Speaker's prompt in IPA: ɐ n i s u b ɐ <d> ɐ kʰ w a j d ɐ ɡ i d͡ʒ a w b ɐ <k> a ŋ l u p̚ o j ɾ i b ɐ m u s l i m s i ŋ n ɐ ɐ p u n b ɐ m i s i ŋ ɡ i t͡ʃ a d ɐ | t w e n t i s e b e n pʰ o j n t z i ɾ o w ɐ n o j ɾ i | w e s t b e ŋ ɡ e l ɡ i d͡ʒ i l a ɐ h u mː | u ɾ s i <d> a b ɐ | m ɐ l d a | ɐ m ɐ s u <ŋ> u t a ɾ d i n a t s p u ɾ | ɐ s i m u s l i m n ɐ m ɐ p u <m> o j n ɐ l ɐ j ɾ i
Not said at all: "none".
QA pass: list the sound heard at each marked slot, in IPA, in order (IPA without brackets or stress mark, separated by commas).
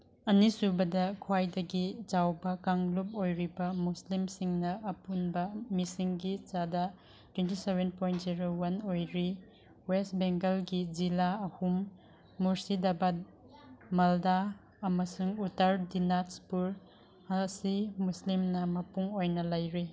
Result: d, k, d, ŋ, ŋ